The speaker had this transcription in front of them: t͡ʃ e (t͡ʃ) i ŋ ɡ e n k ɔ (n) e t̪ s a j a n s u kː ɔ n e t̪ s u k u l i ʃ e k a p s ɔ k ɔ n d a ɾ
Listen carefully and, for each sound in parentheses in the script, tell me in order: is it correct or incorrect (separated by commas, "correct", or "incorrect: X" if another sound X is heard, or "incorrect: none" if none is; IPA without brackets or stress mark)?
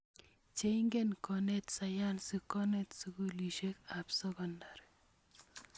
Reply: incorrect: none, correct